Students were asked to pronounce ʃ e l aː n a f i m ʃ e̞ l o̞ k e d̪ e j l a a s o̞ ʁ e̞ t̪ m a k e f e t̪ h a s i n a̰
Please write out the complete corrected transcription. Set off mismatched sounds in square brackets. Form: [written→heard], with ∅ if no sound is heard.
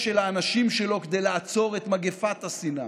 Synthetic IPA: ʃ e l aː n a [f→ʃ] i m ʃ e̞ l o̞ k e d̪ e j l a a [s→t͡s] o̞ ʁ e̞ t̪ m a [k→ɡ] e f [e→a] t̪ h a s i n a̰

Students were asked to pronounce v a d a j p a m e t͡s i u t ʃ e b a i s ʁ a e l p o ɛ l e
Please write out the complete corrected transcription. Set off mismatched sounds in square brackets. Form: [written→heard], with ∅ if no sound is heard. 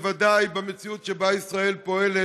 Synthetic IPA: v a d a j [p→b] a m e t͡s i u t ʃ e b a i s ʁ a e l p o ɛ l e

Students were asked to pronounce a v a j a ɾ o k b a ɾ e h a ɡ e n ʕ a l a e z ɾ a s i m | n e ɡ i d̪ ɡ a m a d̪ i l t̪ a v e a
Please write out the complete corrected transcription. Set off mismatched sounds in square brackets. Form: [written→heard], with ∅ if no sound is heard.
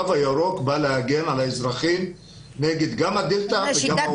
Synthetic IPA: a v a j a ɾ o k b a [ɾ→l] e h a ɡ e n ʕ a l a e z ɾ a [s→χ] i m | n e ɡ [i→e] d̪ ɡ a m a d̪ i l t̪ a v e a

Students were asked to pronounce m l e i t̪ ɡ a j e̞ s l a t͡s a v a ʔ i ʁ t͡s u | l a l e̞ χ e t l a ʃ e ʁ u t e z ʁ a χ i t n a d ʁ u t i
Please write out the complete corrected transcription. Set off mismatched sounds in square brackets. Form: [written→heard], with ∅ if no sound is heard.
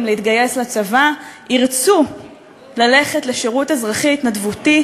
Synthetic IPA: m l e i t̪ ɡ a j e̞ s l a t͡s a v a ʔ i ʁ t͡s u | l a l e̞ χ e t l [a→e] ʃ e ʁ u t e z ʁ a χ i t n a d [ʁ→v] u t i

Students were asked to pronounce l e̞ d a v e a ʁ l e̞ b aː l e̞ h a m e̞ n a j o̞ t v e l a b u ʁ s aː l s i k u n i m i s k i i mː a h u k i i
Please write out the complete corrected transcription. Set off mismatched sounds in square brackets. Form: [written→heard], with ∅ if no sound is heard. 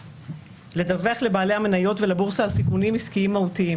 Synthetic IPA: l e̞ d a v e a [ʁ→χ] l e̞ b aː l e̞ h a m e̞ n a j o̞ t v e l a b u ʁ s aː l s i k u n i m i s k i i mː a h u [k→t] i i

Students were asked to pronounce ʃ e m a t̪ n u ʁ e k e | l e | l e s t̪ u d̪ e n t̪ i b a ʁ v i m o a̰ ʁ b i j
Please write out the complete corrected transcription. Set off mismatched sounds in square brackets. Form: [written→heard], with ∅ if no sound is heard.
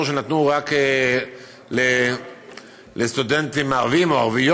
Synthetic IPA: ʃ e [m→n] a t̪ n u ʁ [e→a] k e | l e | l e s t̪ u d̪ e n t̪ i [b→m] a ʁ v i m o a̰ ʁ [b→v] i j

